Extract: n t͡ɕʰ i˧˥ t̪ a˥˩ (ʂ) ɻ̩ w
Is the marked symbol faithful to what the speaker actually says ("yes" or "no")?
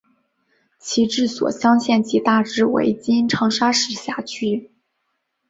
no